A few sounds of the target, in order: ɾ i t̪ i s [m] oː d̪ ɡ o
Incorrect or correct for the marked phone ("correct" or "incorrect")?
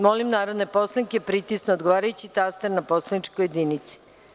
incorrect